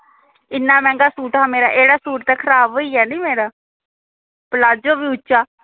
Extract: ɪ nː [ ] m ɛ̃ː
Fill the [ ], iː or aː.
aː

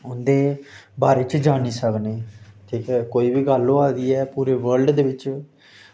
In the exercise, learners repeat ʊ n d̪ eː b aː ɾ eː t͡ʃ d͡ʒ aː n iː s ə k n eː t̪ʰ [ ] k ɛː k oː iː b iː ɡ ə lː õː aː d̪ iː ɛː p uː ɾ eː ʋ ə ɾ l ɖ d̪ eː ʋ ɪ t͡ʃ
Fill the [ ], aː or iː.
iː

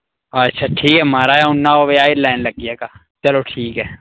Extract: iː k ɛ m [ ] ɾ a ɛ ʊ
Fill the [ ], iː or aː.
aː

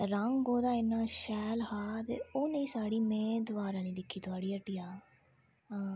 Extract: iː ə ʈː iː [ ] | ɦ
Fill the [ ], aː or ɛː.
aː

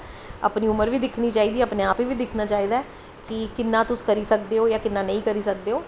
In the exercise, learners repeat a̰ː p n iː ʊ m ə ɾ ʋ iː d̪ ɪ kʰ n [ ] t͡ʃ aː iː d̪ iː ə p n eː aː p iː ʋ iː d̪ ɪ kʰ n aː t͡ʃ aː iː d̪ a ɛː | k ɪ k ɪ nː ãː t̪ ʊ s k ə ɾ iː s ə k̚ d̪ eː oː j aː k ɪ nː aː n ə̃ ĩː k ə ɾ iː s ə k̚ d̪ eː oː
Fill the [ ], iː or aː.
iː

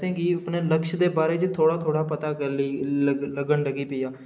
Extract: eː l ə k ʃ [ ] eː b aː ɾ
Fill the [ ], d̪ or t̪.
d̪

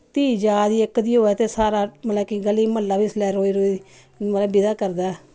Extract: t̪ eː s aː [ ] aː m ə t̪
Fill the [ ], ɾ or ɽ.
ɾ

